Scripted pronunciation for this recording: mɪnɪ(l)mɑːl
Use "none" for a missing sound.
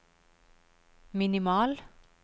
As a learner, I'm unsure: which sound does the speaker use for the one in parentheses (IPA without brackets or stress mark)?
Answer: none